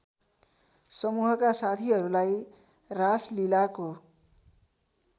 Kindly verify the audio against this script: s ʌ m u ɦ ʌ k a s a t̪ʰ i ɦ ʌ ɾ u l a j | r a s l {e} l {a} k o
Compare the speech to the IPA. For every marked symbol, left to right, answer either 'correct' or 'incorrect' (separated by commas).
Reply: incorrect, correct